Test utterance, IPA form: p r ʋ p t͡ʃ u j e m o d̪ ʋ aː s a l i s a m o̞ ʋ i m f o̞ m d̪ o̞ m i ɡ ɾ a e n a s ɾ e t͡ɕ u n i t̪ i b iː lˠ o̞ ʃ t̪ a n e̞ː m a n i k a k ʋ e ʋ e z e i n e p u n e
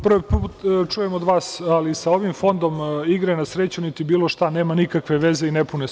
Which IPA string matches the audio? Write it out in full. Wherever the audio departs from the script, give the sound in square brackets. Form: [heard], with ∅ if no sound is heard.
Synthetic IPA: p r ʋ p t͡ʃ u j e m o d̪ ʋ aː s a l i s a [∅] o̞ ʋ i m f o̞ [n] d̪ o̞ m i ɡ ɾ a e n a s ɾ e t͡ɕ u n i t̪ i b iː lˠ o̞ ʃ t̪ a n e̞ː m a n i k a k ʋ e ʋ e z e i n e p u n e